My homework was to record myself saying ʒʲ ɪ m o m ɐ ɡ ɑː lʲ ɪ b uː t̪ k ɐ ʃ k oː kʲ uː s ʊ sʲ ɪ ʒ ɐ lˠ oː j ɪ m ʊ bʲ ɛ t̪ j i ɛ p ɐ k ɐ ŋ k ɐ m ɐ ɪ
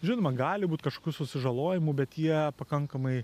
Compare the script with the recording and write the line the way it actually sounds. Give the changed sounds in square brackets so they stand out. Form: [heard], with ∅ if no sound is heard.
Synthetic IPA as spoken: ʒʲ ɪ [n] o m ɐ ɡ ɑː lʲ ɪ b uː t̪ k ɐ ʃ k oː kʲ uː s ʊ sʲ ɪ ʒ ɐ lˠ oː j ɪ m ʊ bʲ ɛ t̪ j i ɛ p ɐ k ɐ ŋ k ɐ m ɐ ɪ